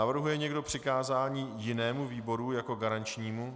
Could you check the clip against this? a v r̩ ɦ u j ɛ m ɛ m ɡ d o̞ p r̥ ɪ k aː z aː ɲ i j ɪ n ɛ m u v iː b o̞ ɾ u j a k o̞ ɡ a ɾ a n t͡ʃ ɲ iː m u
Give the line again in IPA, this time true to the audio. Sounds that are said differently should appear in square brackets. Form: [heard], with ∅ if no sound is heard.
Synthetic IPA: a v r̩ ɦ u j ɛ [ɲ] ɛ [∅] ɡ d o̞ p r̥ ɪ k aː z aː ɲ [iː] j ɪ n [ɛː] m u v iː b o̞ ɾ u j a k o̞ ɡ a ɾ a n t͡ʃ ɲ iː m u